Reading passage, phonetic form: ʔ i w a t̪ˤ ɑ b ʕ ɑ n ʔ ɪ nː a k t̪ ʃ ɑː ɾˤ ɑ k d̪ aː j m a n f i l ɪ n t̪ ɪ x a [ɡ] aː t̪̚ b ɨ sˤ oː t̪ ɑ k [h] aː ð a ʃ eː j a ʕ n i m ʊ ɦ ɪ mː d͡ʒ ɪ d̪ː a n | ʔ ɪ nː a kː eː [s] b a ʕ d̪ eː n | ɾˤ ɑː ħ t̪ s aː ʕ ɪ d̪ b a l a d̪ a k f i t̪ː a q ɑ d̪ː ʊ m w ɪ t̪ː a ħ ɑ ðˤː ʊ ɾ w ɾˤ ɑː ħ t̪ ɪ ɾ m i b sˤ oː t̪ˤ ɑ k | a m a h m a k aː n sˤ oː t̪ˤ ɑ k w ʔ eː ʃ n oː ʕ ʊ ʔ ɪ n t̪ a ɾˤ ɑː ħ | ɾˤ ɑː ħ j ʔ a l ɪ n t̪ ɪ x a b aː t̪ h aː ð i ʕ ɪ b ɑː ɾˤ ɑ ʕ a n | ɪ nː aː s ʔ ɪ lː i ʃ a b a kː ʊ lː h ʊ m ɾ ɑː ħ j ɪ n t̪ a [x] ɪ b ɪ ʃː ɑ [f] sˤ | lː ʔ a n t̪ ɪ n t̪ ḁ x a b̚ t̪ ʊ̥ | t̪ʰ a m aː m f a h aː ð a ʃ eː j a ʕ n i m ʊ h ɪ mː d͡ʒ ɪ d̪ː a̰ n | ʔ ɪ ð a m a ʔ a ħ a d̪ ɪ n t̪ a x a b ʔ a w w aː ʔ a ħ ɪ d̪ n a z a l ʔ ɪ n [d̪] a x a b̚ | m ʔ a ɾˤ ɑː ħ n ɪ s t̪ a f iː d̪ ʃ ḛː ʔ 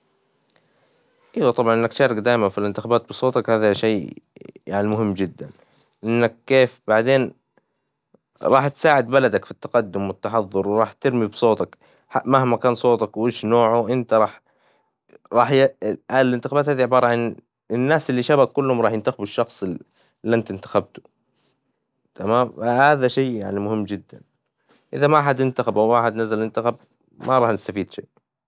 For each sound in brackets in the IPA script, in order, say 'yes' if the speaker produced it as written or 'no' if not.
no, yes, no, yes, no, no

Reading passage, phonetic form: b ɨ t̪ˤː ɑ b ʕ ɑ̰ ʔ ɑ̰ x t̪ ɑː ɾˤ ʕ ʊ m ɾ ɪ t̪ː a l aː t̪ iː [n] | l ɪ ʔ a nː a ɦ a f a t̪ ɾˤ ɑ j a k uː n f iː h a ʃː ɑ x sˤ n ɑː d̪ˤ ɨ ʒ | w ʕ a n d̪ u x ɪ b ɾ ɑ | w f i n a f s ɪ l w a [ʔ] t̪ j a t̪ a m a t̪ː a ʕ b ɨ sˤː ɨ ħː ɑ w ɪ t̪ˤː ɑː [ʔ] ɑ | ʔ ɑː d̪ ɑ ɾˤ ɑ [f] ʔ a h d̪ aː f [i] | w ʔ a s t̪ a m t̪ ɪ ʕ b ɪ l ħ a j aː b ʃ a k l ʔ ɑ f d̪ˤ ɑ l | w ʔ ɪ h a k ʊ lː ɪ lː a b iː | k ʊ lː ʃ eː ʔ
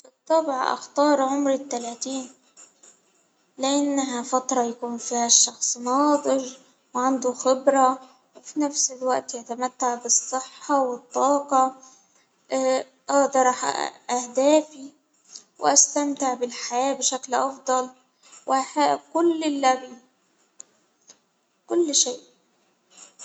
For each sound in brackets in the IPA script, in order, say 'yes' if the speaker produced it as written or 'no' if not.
yes, yes, no, no, yes

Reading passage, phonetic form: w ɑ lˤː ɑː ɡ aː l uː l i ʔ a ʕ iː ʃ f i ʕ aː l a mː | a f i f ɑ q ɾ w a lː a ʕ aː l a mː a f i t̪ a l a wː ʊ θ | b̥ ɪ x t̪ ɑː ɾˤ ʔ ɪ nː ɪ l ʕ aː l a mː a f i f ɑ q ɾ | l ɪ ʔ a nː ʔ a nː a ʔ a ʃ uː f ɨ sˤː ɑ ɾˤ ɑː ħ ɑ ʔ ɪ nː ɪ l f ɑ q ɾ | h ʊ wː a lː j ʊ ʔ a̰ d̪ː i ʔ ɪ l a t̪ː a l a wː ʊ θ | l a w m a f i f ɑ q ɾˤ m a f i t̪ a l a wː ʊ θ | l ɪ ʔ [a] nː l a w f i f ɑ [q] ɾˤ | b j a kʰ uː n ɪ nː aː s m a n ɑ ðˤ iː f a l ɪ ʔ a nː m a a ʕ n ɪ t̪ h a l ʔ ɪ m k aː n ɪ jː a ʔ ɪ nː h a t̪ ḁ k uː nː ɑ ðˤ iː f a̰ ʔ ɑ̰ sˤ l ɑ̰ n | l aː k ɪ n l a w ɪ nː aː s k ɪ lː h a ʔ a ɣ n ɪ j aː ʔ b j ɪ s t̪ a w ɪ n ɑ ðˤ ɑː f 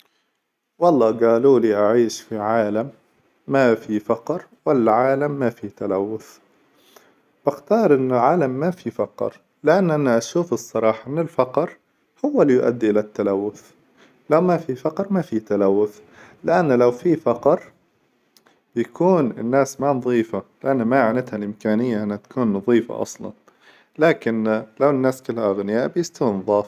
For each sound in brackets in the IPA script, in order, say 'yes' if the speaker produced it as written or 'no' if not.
yes, yes

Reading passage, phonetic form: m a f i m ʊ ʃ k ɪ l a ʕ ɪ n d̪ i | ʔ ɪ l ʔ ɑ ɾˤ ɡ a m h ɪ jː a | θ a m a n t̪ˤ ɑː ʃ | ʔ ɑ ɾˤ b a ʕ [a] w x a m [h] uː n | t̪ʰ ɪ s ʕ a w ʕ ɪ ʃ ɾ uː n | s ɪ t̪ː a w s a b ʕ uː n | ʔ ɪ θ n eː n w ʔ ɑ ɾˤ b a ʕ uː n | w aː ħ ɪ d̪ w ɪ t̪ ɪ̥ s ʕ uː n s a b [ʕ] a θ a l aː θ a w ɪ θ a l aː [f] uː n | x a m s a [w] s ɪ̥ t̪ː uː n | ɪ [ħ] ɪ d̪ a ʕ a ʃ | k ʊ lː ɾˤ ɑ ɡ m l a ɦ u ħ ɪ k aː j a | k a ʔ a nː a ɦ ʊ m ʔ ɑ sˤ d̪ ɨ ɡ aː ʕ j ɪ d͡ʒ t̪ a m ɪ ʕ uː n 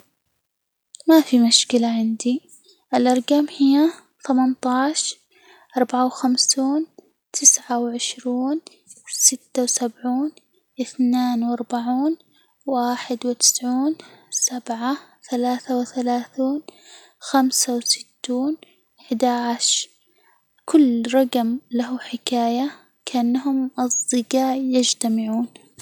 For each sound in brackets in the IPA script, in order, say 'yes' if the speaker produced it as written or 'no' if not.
yes, no, yes, no, yes, yes

